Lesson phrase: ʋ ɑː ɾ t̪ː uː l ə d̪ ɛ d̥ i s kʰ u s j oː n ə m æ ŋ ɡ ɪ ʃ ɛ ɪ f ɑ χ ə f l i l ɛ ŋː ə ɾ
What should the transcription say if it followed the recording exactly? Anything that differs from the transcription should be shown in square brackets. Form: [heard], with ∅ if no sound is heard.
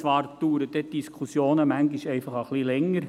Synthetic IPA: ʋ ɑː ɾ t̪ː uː [ɾ] ə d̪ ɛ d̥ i s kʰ u s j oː n ə m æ ŋ ɡ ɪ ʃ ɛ ɪ f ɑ χ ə [χ] l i l ɛ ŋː ə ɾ